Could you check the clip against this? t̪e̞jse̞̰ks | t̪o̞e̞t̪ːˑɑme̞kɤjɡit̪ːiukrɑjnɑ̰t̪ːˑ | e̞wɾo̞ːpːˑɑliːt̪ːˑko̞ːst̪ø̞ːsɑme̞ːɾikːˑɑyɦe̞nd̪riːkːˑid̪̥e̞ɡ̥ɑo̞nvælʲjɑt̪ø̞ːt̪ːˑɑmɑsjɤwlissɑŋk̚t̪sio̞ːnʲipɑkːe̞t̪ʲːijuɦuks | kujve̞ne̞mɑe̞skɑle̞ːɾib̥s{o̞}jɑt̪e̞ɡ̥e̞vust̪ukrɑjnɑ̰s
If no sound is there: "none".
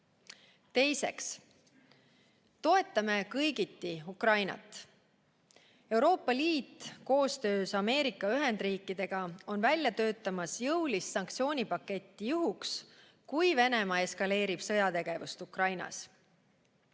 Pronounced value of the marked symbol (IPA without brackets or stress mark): ɤ̞